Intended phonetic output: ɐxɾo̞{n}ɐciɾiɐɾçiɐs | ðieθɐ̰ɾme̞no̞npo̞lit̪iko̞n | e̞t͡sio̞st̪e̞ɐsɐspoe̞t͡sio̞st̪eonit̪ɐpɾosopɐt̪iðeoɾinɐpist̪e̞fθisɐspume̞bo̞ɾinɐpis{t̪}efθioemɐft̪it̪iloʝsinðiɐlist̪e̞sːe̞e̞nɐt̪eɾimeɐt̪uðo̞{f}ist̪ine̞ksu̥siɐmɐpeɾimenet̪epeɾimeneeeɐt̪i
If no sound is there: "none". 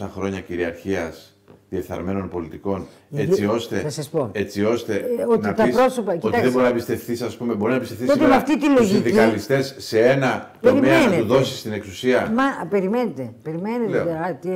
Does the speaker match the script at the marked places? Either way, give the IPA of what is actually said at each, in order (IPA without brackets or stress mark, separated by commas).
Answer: ɲ, t̪, s